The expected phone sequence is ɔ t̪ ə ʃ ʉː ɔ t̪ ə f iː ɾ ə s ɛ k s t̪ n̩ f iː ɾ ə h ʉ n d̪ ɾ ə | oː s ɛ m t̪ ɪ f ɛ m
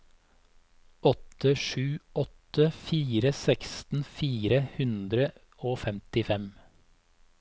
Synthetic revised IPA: ɔ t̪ ə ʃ ʉː ɔ t̪ ə f iː ɾ ə s ɛ k s t̪ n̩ f iː ɾ ə h ʉ n d̪ ɾ ə | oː f ɛ m t̪ ɪ f ɛ m